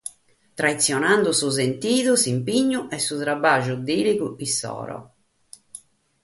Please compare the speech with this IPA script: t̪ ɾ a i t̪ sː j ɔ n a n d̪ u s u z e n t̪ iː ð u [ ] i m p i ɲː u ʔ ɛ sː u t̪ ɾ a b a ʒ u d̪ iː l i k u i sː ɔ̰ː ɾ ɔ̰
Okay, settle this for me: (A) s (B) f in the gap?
A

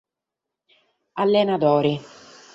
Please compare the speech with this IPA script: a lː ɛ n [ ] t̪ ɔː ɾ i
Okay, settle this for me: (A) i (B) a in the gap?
B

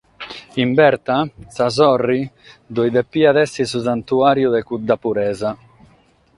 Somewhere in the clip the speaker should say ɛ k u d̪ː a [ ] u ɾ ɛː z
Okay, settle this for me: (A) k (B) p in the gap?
B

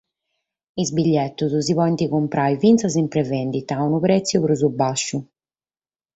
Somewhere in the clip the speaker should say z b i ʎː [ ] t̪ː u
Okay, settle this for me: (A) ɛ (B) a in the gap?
A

